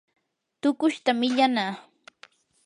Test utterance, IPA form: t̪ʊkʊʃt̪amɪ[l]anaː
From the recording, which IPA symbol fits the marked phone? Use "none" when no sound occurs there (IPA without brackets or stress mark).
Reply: ʎ